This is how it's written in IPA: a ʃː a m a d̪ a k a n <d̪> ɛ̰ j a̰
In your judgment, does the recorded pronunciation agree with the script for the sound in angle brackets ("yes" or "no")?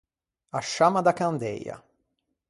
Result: yes